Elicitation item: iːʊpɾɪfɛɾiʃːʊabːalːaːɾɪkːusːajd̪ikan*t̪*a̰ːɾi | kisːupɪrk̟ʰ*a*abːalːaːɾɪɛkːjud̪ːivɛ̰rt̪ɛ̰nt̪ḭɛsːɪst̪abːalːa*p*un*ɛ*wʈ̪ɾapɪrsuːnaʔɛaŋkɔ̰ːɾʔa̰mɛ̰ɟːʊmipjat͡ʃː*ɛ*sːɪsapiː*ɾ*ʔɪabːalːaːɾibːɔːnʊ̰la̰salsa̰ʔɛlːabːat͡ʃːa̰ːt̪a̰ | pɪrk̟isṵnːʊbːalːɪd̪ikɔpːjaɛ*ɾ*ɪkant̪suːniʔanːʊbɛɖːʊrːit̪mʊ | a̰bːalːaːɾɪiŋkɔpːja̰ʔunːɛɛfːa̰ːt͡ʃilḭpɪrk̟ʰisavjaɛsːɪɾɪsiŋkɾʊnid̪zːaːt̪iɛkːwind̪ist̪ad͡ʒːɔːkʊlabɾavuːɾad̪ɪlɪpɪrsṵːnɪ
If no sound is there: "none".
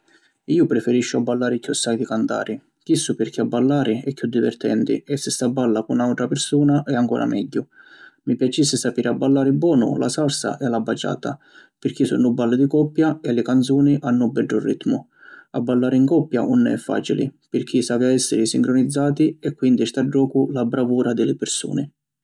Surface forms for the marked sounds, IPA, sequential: t̪, i, k, a, i, ɾ, l

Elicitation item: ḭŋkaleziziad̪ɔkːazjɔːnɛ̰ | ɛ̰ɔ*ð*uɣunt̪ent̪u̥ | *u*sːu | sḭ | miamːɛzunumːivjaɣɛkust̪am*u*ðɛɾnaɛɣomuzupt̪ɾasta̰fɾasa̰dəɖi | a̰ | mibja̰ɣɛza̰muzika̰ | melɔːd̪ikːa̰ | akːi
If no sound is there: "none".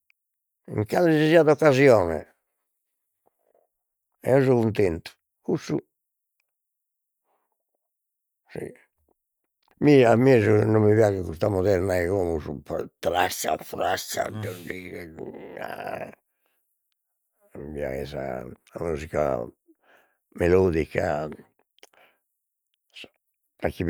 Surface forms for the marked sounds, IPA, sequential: z, u, ɔ

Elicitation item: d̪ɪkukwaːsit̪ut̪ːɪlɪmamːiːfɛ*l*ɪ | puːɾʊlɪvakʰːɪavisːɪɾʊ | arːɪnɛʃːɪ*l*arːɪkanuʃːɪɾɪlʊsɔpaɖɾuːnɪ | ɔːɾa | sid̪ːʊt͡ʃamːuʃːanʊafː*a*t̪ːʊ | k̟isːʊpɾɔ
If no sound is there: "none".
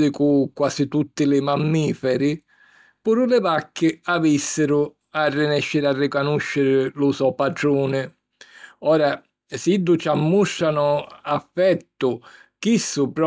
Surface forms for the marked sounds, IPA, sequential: ɾ, ɾ, ɛ

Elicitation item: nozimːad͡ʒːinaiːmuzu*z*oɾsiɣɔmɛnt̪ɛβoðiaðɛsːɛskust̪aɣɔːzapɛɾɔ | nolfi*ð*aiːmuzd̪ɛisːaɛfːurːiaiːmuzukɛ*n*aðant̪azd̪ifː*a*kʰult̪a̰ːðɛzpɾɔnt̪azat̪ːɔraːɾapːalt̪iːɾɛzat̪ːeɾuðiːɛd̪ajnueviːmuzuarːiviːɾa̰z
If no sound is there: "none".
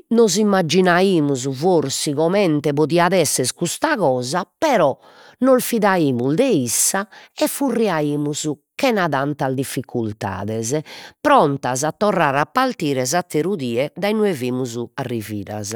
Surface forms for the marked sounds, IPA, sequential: v, ð, n, i

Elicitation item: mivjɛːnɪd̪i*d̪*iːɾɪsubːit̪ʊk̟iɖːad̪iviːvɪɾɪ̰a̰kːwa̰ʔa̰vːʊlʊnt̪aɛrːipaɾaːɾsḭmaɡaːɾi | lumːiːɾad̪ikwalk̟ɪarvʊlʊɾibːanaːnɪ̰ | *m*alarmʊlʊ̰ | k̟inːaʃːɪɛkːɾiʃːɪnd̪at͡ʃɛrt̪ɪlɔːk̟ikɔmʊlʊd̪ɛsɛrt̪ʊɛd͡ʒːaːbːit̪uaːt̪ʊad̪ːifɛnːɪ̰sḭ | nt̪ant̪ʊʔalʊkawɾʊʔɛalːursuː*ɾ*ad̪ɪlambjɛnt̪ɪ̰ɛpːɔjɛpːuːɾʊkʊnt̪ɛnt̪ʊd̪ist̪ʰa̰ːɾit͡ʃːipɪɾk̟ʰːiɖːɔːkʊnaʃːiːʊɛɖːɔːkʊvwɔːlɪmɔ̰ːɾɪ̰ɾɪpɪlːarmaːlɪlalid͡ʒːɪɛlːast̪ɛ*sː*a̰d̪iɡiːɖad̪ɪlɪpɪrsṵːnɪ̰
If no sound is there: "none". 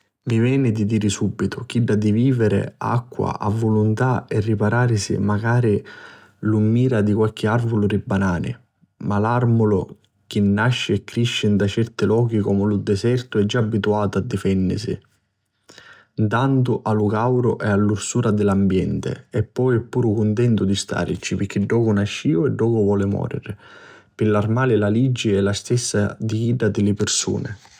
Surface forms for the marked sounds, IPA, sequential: d̪, m, ɾ, sː

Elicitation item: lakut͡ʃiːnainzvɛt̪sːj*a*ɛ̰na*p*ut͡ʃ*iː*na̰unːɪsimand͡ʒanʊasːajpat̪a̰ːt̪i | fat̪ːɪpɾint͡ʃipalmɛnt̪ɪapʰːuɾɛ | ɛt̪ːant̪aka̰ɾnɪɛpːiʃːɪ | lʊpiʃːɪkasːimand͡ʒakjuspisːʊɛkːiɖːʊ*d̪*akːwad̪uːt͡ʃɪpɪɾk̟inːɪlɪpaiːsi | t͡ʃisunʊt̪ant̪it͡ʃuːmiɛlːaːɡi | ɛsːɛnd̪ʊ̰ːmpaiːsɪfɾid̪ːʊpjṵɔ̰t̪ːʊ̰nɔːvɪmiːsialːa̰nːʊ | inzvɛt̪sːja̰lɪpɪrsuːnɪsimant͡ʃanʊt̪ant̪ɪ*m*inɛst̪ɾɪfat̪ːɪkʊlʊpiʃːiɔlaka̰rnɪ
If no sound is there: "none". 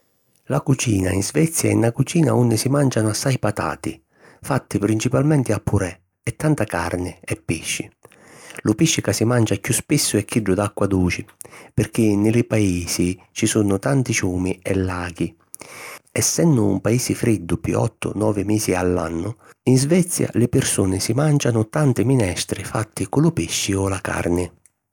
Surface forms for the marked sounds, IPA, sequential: a, k, iː, d̪, m

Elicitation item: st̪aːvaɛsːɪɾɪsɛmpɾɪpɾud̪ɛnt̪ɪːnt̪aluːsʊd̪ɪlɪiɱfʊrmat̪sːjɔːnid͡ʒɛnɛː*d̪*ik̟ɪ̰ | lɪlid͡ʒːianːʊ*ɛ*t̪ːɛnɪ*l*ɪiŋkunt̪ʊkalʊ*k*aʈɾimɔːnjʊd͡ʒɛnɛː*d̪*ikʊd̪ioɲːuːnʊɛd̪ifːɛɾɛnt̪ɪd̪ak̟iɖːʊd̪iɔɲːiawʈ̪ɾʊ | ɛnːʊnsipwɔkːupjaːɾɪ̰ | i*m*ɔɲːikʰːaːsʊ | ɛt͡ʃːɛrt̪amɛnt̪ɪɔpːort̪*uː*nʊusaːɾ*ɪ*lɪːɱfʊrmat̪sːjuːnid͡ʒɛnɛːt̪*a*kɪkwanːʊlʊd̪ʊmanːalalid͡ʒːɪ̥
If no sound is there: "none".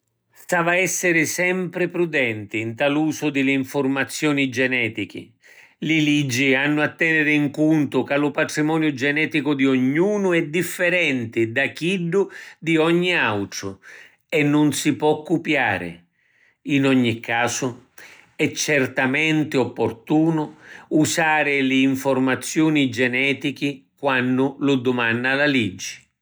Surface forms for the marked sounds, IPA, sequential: t̪, a, ɾ, p, t̪, n, uː, ɪ, i

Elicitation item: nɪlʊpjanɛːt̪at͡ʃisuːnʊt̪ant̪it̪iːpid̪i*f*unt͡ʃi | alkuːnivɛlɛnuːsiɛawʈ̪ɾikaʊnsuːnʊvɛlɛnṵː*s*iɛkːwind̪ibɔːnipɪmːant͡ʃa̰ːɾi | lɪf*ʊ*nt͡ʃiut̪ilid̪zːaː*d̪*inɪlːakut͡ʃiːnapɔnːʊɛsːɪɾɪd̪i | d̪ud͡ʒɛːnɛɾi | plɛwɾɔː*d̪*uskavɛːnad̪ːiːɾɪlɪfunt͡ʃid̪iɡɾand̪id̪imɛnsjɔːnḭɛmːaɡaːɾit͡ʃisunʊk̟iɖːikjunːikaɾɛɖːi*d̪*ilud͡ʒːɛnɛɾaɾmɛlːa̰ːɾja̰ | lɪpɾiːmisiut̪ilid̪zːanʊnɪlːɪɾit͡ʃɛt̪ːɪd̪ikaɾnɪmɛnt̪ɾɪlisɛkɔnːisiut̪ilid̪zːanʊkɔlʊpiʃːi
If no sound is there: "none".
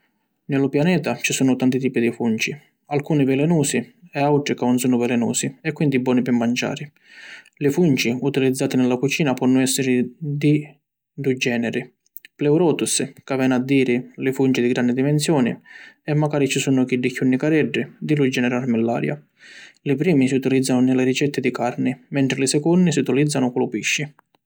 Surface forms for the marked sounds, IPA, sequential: f, s, u, t̪, t̪, d̪

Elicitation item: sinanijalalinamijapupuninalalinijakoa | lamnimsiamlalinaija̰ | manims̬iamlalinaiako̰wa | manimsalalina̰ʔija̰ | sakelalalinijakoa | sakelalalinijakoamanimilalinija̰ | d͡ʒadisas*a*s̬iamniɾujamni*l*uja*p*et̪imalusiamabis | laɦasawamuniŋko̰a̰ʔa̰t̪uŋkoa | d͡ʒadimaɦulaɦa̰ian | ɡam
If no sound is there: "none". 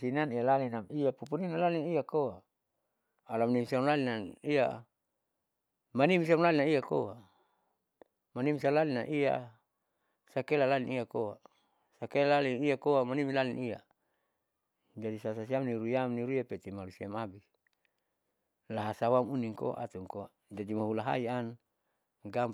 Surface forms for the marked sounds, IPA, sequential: a, ɾ, p

